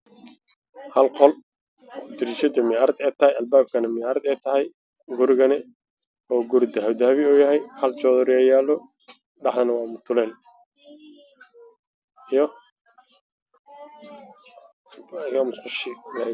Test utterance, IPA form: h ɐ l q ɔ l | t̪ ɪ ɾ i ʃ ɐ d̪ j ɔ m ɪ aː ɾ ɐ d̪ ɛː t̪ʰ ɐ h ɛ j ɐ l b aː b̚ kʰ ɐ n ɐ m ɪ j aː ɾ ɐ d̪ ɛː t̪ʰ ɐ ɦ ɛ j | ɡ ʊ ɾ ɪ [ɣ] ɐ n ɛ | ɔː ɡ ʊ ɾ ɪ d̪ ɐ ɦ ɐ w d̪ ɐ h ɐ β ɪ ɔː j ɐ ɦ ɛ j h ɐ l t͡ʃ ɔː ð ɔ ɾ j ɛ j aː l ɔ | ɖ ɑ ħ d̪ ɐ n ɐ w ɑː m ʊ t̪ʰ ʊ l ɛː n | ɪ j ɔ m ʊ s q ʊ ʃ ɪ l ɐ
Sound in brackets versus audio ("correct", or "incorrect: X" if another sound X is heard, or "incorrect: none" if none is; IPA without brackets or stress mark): correct